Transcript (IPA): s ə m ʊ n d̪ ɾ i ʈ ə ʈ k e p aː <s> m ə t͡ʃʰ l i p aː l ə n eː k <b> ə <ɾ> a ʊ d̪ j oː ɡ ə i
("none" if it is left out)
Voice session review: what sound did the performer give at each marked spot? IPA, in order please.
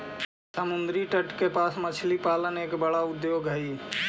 s, b, ɽ

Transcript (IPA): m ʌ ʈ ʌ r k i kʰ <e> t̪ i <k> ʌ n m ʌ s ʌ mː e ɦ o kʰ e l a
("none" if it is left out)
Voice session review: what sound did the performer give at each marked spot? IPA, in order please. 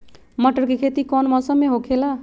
e, k

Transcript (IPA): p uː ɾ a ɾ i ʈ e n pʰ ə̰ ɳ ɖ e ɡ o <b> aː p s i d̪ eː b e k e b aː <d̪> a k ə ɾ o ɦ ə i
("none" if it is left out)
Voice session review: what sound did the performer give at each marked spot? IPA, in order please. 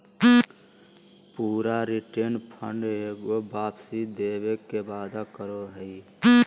b, d̪

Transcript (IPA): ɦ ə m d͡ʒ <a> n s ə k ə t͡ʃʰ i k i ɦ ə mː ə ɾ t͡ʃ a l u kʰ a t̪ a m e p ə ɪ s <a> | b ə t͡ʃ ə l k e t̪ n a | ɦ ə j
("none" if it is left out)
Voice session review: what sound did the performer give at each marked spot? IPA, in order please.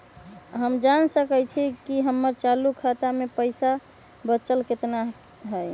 a, a

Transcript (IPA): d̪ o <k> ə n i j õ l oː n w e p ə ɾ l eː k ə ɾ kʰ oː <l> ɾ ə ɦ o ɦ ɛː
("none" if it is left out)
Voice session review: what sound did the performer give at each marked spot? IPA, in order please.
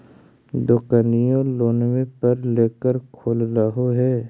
k, l

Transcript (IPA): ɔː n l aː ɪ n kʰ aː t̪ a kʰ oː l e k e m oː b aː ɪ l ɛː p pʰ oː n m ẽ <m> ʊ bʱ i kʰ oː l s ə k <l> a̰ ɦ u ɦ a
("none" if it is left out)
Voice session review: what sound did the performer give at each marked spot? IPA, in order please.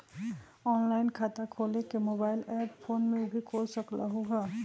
none, l

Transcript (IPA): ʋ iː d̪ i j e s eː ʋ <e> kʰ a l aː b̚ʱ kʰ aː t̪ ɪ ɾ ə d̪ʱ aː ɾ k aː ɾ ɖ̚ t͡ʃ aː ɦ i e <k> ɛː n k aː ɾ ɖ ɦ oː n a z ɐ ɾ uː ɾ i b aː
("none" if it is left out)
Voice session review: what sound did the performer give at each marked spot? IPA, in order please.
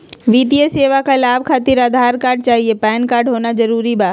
a, p

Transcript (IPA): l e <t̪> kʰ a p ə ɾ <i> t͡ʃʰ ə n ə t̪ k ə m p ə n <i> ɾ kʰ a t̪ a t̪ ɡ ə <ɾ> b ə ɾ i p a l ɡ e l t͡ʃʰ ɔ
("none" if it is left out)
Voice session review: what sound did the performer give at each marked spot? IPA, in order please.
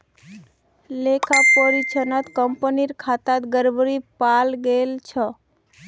none, i, i, ɾ

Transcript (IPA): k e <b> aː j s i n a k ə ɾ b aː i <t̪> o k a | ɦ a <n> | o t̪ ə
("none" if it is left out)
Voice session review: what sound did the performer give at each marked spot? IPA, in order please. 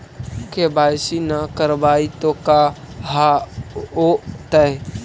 b, t̪, none

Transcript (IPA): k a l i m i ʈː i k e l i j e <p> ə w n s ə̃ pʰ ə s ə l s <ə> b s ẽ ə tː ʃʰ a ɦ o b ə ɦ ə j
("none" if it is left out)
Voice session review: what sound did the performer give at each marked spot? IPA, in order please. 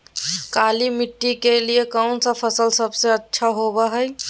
k, ə

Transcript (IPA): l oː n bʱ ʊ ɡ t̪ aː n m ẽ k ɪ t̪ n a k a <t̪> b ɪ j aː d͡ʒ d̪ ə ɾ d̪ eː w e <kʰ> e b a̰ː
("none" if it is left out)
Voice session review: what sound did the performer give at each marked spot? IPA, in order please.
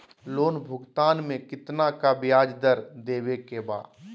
none, k

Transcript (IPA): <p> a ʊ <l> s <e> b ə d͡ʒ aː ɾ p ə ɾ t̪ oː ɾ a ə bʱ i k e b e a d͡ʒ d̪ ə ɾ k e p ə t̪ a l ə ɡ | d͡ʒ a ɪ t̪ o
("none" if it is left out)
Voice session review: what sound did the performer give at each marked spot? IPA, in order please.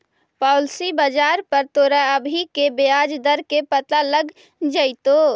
p, l, i

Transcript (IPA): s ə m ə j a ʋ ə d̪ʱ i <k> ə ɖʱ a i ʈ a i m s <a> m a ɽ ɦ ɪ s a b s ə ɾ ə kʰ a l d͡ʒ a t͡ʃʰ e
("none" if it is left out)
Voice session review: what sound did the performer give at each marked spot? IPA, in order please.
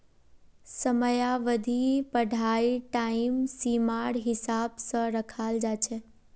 p, i

